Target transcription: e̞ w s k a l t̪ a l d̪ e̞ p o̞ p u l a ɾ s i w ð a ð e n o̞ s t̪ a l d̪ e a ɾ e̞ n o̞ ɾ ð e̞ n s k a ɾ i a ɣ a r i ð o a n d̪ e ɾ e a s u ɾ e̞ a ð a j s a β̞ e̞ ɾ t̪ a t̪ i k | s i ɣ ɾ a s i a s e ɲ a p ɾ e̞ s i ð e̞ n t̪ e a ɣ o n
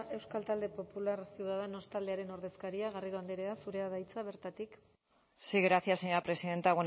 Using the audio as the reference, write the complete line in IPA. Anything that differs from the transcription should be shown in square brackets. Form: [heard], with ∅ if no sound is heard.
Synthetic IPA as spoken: e̞ w s k a l t̪ a l d̪ e̞ p o̞ p u l a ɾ s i w ð a ð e n o̞ s t̪ a l d̪ e a ɾ e̞ n o̞ ɾ ð e̞ [∅] s k a ɾ i a ɣ a r i ð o a n d̪ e ɾ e a s u ɾ e̞ a ð a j [t͡s] a β̞ e̞ ɾ t̪ a t̪ i k | s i ɣ ɾ a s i a s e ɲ a p ɾ e̞ s i ð e̞ n t̪ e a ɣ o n